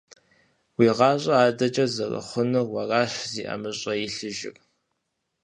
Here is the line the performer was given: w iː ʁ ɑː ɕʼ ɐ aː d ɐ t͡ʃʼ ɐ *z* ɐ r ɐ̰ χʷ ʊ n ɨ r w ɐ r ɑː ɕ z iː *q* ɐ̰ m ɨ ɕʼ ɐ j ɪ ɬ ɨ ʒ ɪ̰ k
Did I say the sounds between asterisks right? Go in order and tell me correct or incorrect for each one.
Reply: correct, incorrect

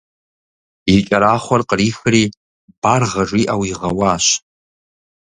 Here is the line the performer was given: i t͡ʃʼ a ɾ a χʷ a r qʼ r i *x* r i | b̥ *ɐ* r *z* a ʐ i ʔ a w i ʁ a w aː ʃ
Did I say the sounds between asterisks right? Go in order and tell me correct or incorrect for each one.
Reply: correct, incorrect, incorrect

